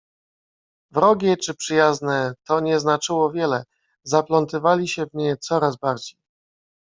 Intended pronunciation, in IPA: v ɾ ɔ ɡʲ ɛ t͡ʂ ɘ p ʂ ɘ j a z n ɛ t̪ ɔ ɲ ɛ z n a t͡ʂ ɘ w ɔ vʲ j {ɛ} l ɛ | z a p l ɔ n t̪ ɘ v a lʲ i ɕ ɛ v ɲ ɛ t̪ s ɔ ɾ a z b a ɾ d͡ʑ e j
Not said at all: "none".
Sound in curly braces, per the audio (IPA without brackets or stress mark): ɛ